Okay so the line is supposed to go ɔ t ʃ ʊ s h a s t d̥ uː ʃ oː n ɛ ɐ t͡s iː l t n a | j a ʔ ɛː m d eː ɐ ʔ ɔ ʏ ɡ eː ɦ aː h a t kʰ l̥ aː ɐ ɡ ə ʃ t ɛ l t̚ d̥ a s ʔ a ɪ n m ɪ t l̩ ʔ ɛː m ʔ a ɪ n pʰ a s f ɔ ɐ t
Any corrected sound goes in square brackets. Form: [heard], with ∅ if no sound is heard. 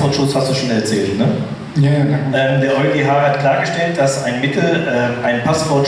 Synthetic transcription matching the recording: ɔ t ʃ ʊ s h a s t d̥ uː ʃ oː n ɛ ɐ t͡s [ɛː] l t n [ə] | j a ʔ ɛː m d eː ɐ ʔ ɔ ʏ ɡ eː ɦ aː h a t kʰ l̥ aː ɐ ɡ ə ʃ t ɛ l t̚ d̥ a s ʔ a ɪ n m ɪ t l̩ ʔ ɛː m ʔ a ɪ n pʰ a s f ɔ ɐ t